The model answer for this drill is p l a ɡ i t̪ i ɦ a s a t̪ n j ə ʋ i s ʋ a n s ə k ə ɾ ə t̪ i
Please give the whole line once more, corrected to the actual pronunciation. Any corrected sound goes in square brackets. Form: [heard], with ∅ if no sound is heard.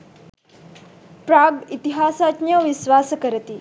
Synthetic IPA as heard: p [ɾ] a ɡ i t̪ i ɦ a s a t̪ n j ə ʋ i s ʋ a [∅] s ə k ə ɾ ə t̪ i